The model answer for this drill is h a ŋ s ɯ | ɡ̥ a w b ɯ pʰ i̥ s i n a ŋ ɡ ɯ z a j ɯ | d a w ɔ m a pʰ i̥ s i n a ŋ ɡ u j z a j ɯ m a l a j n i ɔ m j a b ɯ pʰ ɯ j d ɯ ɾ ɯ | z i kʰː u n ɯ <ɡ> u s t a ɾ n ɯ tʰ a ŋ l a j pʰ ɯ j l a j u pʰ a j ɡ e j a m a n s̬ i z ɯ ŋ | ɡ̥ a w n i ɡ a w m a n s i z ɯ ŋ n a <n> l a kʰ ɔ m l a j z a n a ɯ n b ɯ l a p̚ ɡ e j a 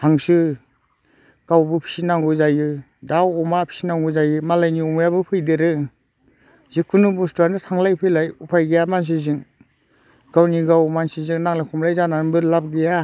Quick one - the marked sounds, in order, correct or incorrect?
incorrect: b, incorrect: ŋ

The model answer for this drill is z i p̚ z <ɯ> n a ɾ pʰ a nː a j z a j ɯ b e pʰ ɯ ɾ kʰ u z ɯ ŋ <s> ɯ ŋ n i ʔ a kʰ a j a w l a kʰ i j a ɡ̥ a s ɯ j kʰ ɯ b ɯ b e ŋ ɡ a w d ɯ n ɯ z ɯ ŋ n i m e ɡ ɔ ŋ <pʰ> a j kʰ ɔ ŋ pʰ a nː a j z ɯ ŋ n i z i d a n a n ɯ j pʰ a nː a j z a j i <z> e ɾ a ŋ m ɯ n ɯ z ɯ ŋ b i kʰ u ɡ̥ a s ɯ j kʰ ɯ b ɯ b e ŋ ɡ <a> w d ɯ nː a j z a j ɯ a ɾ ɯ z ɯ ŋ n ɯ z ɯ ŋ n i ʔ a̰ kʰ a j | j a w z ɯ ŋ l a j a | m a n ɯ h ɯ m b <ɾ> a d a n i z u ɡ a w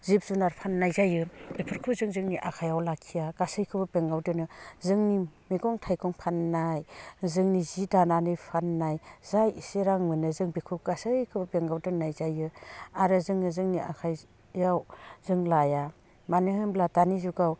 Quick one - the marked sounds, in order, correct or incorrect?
incorrect: u, incorrect: z, incorrect: tʰ, incorrect: s, correct, incorrect: l

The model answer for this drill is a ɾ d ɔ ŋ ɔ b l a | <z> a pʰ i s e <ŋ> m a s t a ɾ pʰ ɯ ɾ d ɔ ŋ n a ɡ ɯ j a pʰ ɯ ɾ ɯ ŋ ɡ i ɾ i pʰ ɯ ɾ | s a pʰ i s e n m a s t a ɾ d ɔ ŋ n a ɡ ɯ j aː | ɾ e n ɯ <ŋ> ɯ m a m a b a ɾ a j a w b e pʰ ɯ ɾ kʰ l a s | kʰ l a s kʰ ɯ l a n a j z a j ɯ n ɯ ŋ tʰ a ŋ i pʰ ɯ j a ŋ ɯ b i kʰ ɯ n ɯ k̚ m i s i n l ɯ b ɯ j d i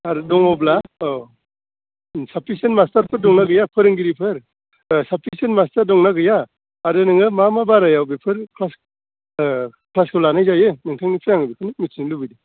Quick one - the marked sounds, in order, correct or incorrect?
incorrect: s, incorrect: n, correct

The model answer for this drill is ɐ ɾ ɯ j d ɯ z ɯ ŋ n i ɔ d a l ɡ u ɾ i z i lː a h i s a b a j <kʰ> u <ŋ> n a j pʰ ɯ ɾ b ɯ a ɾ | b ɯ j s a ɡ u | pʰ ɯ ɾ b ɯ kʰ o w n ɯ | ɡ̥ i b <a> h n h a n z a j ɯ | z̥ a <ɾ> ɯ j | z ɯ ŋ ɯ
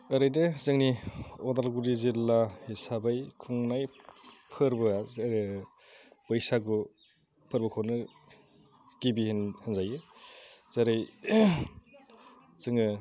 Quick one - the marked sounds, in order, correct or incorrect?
correct, correct, incorrect: i, correct

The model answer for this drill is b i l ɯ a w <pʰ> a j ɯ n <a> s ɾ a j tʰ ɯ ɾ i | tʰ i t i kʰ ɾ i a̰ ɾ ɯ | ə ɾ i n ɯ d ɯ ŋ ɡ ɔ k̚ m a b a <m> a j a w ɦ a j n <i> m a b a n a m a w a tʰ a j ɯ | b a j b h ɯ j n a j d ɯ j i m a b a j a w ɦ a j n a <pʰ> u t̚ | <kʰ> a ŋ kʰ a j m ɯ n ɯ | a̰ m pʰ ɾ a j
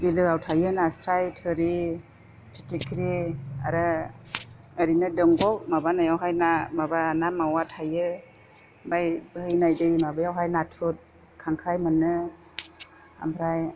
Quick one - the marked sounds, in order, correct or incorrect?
incorrect: tʰ, correct, incorrect: n, incorrect: a, incorrect: tʰ, correct

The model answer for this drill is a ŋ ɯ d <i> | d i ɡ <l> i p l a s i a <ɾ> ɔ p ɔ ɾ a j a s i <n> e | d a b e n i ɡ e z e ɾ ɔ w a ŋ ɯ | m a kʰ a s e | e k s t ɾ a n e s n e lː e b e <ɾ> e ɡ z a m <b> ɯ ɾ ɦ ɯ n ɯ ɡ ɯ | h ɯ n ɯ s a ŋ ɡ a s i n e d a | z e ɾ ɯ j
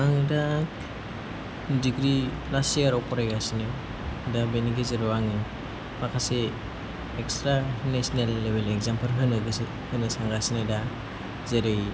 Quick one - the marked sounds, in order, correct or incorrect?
incorrect: a, incorrect: ɾ, correct, correct, incorrect: l, incorrect: p

